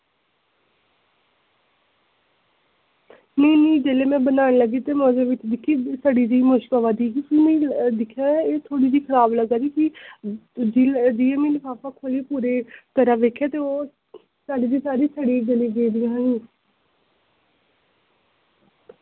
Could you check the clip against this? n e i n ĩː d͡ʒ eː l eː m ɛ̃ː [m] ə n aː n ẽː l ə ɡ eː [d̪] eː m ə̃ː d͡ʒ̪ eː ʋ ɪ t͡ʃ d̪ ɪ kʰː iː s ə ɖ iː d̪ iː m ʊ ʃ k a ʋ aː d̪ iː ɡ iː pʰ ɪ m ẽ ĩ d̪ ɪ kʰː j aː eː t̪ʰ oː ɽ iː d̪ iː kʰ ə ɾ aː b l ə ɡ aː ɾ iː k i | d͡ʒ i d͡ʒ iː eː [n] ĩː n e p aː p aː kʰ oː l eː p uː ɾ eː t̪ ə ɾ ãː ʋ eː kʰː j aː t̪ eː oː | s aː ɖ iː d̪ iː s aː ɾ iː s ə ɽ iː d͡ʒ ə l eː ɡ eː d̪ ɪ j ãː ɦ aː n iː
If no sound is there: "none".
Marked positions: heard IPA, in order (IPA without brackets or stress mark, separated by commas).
b, t̪, m